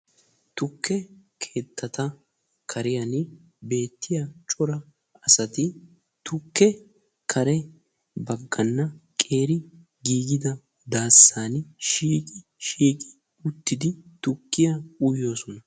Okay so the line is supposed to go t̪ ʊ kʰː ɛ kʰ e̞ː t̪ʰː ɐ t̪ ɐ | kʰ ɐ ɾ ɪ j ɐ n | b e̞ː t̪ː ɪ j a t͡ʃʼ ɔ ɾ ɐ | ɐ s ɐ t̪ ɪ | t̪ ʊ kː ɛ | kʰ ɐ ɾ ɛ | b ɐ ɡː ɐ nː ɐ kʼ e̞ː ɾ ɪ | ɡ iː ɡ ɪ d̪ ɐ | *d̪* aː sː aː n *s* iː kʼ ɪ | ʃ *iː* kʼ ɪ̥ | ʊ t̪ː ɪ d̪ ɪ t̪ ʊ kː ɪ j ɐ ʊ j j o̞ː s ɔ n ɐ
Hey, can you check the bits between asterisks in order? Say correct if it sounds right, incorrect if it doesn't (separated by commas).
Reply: correct, incorrect, correct